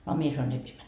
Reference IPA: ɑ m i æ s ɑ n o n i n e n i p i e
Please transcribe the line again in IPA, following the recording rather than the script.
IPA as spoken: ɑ m i e s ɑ n o i n e i p i e